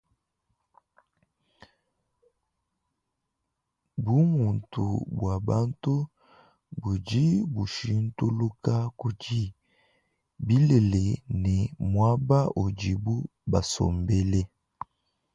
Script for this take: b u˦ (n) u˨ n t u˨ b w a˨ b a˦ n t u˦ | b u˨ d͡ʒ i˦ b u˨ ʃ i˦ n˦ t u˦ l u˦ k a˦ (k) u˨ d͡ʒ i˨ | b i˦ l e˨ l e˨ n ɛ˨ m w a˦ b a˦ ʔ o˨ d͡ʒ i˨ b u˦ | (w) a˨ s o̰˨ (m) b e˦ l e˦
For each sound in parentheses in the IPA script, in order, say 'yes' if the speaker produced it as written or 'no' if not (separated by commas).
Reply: no, yes, no, yes